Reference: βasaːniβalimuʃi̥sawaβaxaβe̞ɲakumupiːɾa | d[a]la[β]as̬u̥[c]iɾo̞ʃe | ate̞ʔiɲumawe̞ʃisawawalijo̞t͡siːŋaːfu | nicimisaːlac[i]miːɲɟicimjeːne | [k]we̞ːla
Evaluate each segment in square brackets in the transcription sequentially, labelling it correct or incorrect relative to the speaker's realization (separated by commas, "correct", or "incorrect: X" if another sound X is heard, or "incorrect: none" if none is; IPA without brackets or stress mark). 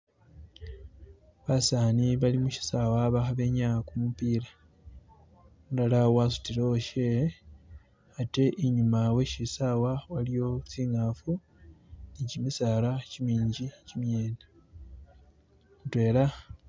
correct, incorrect: w, incorrect: t, correct, incorrect: t